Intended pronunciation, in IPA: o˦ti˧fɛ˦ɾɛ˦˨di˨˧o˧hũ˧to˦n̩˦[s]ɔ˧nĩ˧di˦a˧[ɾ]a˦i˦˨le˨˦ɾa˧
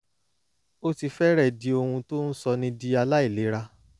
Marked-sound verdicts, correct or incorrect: correct, incorrect

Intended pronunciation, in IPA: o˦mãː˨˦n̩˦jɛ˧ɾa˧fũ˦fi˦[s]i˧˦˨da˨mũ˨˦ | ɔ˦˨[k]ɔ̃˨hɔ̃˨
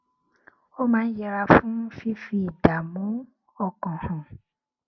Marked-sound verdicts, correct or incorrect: incorrect, correct

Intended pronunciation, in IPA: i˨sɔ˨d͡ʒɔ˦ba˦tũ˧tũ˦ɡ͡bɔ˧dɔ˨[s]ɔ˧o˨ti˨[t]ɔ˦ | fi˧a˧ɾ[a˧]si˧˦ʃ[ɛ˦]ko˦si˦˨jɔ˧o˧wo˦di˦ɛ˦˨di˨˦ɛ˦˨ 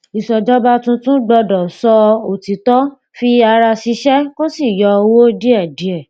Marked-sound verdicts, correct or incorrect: correct, correct, correct, correct

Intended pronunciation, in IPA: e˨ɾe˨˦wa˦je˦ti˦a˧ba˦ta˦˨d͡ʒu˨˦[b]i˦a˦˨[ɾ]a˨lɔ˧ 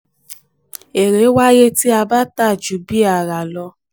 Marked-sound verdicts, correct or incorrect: correct, correct

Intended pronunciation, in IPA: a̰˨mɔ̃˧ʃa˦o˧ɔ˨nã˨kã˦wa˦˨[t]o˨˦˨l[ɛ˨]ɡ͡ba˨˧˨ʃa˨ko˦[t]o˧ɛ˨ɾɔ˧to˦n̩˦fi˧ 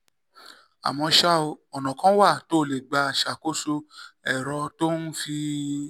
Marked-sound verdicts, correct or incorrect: correct, incorrect, incorrect

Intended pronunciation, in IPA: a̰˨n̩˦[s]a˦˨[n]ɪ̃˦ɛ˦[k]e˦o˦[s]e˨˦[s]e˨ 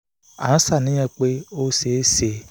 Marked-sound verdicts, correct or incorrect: correct, correct, incorrect, correct, correct

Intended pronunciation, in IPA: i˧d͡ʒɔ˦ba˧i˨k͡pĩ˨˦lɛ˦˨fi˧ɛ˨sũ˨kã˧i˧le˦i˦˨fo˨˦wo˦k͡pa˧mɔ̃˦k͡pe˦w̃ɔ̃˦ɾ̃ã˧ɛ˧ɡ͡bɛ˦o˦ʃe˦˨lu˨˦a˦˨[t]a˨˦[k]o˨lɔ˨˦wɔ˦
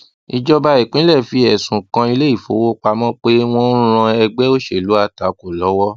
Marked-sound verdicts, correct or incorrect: correct, correct

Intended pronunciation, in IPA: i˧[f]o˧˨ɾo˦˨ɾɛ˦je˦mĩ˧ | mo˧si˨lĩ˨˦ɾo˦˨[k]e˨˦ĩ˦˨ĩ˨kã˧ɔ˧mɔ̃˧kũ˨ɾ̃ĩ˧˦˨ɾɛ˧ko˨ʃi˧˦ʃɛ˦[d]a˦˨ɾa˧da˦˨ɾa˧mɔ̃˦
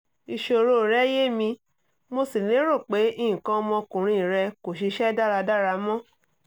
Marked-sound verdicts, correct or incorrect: incorrect, incorrect, correct

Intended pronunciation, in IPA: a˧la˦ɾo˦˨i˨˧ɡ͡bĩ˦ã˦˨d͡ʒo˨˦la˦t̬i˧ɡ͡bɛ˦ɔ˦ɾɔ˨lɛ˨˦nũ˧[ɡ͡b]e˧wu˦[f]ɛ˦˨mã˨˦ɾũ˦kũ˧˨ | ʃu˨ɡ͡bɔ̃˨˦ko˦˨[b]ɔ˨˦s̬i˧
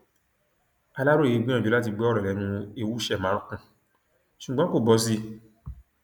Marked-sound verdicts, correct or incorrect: incorrect, incorrect, correct

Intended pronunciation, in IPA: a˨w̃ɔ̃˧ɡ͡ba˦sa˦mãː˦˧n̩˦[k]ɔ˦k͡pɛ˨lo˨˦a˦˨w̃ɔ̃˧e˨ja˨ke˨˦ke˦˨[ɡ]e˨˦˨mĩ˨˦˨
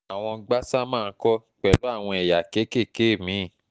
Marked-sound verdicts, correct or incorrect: correct, incorrect

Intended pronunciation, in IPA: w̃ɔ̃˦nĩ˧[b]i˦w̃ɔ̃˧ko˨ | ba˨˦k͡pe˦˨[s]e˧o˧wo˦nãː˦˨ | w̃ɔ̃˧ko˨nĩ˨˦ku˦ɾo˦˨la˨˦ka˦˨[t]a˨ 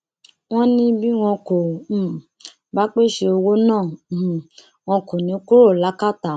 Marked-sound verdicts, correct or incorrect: correct, incorrect, correct

